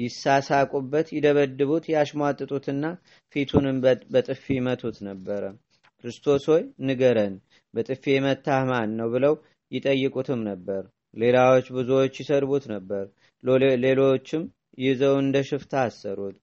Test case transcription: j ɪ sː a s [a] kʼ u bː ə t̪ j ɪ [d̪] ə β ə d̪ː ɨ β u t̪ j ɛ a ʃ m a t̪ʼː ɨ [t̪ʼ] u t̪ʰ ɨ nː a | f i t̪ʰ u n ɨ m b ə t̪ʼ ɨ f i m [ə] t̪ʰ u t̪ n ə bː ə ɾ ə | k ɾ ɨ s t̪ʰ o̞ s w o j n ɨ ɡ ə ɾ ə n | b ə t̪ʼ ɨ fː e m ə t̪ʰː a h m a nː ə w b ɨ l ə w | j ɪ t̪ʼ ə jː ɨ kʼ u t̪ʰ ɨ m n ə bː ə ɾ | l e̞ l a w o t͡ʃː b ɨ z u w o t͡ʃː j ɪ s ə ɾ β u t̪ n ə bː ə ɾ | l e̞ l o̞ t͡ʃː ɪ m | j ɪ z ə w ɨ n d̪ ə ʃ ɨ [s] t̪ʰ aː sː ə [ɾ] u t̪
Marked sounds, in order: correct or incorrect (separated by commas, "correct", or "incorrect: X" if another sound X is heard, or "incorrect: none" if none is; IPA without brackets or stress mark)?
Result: correct, correct, correct, correct, incorrect: f, correct